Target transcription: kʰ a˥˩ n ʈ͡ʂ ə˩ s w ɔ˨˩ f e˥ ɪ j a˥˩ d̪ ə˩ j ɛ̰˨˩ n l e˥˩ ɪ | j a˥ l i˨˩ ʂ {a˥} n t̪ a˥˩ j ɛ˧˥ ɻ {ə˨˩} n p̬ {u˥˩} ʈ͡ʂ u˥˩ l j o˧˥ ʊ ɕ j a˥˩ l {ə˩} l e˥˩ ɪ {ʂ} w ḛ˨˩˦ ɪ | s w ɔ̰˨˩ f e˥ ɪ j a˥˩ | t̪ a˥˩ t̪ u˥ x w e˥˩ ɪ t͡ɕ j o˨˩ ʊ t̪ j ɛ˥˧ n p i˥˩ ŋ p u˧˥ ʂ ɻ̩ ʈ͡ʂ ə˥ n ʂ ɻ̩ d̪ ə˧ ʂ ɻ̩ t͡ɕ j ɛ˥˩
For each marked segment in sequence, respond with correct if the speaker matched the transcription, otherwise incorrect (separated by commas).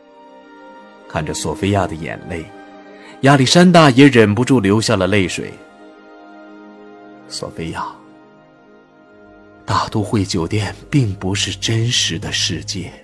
correct, correct, incorrect, correct, correct